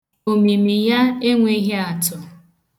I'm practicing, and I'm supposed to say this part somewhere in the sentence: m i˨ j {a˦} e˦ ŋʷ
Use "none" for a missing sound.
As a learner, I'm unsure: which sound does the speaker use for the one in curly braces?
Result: a˦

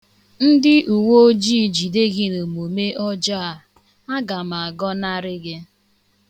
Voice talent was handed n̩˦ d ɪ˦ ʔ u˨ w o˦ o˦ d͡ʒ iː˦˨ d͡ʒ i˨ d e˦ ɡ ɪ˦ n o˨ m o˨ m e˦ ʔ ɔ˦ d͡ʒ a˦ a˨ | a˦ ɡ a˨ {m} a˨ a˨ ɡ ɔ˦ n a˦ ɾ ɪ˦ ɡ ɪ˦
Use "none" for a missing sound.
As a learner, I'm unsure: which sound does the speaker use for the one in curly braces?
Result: m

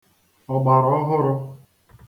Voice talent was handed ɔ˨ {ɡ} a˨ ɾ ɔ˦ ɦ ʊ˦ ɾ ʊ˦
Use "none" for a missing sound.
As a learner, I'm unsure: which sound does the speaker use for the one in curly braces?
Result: ɡ͡b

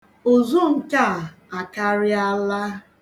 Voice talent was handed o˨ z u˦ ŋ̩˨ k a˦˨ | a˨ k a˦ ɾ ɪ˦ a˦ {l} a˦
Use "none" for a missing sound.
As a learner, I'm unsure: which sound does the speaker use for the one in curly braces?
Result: l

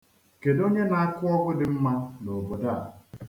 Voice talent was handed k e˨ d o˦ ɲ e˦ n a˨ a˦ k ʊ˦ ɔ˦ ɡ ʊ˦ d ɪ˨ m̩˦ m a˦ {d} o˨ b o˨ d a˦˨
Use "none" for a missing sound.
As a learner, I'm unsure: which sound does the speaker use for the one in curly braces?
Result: n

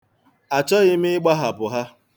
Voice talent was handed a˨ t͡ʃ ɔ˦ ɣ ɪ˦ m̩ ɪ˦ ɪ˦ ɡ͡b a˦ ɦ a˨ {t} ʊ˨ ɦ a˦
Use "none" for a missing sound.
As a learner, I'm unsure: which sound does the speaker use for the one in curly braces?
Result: p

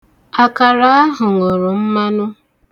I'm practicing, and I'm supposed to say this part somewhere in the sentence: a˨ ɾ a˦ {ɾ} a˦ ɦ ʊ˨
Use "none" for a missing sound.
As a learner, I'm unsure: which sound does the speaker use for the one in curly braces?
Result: none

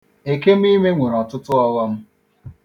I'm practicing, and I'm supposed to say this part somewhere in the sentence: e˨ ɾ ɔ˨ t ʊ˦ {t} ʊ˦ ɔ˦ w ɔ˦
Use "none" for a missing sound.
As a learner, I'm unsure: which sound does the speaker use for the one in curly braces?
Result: t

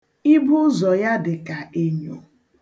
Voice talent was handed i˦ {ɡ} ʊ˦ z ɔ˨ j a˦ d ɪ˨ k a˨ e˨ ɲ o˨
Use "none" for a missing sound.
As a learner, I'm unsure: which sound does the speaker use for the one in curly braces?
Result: b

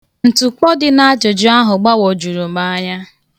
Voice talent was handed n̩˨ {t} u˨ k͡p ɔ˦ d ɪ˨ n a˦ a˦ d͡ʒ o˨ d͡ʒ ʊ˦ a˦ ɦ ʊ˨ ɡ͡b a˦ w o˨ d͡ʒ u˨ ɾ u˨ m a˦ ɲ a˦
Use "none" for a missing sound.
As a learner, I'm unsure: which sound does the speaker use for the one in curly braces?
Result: t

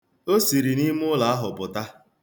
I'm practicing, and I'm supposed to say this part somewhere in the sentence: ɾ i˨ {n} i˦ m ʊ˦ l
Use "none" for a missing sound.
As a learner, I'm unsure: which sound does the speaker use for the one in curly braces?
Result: n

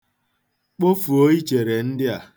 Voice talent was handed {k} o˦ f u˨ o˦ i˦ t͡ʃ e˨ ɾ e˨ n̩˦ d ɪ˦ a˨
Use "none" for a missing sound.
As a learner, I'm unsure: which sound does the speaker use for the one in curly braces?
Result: k͡p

